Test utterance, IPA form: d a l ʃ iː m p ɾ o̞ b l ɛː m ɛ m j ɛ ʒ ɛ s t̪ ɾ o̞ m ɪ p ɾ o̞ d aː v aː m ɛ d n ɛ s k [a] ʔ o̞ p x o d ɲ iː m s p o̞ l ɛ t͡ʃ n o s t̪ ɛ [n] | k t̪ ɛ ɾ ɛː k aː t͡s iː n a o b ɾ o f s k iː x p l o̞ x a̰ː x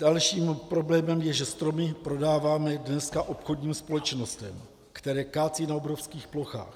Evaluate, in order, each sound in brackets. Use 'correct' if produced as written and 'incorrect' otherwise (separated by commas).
correct, incorrect